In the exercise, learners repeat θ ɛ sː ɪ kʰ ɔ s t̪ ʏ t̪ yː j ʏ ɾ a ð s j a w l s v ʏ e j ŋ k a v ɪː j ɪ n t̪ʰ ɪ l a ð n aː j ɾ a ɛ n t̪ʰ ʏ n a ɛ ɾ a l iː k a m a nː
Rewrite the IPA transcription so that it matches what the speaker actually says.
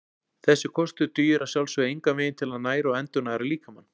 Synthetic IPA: θ ɛ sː ɪ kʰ ɔ s t̪ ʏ t̪ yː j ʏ ɾ a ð s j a w l s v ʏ e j ŋ k a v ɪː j ɪ n t̪ʰ ɪ l a ð n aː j ɾ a ɛ n t̪ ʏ n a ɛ ɾ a l iː k a m a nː